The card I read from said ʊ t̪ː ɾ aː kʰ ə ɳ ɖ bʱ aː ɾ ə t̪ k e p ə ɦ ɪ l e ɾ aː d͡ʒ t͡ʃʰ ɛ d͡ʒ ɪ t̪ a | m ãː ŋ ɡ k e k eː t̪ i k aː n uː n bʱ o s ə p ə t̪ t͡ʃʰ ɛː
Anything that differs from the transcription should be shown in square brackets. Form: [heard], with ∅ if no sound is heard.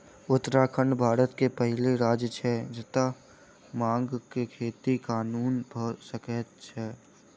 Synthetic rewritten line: ʊ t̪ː ɾ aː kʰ ə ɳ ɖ bʱ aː ɾ ə t̪ k e p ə ɦ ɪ l e ɾ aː d͡ʒ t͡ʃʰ ɛ d͡ʒ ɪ t̪ a | m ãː ŋ ɡ k e [kʰ] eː t̪ i k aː n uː n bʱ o s ə [k] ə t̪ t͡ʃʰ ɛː